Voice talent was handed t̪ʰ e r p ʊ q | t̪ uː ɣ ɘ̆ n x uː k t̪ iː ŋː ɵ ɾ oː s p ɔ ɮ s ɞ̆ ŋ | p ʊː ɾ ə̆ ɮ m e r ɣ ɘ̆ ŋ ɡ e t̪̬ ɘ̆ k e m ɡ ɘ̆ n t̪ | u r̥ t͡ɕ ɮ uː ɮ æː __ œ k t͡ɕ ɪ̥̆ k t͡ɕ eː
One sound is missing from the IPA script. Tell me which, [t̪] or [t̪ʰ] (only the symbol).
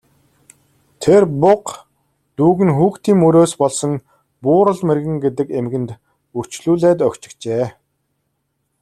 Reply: t̪